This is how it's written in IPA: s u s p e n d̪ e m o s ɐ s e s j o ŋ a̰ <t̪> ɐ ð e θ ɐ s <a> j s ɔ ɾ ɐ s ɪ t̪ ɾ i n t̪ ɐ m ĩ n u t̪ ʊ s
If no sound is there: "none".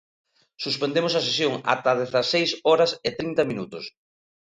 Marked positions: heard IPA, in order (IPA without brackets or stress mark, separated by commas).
t̪, e